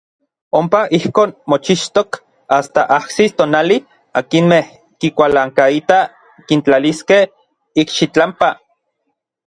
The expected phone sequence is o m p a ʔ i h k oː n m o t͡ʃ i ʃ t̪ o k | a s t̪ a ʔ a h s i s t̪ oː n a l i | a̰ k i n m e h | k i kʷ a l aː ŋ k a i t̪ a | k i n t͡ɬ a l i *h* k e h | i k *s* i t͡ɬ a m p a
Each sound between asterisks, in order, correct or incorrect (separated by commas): incorrect, incorrect